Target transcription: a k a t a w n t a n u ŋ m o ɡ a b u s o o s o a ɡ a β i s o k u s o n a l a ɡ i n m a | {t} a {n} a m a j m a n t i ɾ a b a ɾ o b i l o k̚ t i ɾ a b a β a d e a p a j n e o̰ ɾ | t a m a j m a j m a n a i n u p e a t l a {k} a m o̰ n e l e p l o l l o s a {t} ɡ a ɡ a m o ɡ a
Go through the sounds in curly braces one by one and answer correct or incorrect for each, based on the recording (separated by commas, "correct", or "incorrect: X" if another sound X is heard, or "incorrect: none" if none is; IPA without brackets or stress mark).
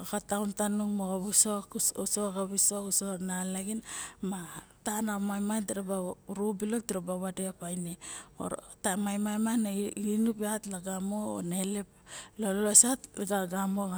correct, correct, incorrect: ɡ, correct